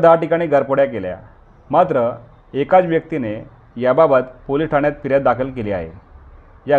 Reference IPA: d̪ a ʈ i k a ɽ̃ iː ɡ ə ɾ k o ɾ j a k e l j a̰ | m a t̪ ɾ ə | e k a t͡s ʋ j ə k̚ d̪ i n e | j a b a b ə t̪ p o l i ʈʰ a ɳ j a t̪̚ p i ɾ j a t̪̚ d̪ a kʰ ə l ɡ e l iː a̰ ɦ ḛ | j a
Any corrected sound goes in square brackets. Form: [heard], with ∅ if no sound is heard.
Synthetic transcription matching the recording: d̪ a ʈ i k a ɽ̃ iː ɡ ə ɾ [p] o [ɽ] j a k e l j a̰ | m a t̪ ɾ ə | e k a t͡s ʋ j ə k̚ [t̪] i n e | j a b a b ə t̪ p o l i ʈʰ a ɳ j a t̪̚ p i ɾ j a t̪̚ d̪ a kʰ ə l [k] e l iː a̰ ɦ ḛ | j a